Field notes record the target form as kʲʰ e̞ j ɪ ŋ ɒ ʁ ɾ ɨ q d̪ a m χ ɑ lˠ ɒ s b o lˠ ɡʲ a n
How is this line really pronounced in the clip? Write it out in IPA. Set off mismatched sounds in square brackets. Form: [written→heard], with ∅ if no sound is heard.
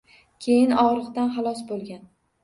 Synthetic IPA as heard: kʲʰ e̞ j ɪ [ŋ→n] ɒ ʁ ɾ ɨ q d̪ a [m→n] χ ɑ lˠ ɒ s b o lˠ ɡʲ a n